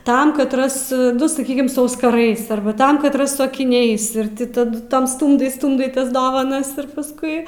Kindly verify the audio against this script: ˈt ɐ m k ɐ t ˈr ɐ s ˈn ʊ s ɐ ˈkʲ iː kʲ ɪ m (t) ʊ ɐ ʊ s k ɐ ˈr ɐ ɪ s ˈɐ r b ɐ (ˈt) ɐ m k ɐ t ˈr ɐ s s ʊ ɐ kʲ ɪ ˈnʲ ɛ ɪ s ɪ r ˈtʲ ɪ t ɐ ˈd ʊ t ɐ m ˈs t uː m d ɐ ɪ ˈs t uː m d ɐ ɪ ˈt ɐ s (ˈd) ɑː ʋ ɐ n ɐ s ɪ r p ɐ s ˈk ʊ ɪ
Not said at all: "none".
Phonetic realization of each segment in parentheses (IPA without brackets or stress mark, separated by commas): s, t, d